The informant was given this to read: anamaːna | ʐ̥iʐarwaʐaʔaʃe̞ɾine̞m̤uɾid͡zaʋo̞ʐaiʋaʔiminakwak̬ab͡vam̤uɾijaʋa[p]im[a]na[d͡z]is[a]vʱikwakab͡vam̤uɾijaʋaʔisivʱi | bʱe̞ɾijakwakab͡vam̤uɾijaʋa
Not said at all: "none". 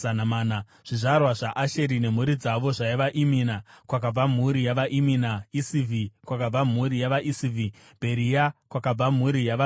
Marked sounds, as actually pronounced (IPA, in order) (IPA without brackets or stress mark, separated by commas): ʔ, i, none, i